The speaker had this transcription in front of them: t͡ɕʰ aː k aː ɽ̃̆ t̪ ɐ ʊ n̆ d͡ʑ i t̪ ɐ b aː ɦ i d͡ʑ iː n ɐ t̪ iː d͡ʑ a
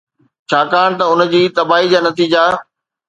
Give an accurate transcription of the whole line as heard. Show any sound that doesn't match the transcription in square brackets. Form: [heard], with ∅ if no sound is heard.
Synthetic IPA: t͡ɕʰ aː k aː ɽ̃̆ t̪ ɐ ʊ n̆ d͡ʑ [iː] t̪ ɐ b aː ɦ i d͡ʑ [aː] n ɐ t̪ iː d͡ʑ a

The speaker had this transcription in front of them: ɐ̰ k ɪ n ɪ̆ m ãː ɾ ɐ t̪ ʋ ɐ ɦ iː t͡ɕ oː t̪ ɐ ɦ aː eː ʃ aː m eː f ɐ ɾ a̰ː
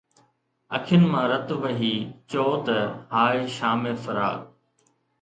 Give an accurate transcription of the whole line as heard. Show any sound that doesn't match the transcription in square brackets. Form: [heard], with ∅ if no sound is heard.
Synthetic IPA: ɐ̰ [kʰ] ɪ n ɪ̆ m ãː ɾ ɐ t̪ ʋ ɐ ɦ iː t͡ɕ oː t̪ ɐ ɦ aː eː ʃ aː m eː f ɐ ɾ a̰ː

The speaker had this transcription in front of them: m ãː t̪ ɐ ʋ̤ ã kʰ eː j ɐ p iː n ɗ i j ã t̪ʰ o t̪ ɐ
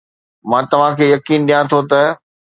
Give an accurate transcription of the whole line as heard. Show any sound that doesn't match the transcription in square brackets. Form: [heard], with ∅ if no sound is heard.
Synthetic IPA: m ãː t̪ ɐ ʋ̤ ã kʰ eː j ɐ [k] iː n ɗ i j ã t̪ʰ o t̪ ɐ

